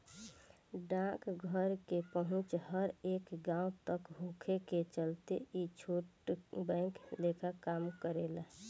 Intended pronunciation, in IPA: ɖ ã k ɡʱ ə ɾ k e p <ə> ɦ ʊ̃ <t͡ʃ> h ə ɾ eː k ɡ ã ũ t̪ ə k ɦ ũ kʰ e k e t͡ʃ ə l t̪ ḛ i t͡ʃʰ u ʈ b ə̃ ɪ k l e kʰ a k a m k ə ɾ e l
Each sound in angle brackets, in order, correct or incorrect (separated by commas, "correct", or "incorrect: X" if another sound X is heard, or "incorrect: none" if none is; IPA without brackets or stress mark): correct, correct